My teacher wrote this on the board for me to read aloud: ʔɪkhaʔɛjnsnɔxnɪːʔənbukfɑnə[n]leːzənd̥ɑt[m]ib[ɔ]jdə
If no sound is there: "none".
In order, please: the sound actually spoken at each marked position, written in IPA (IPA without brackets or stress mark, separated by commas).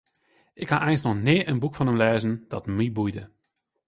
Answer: m, m, u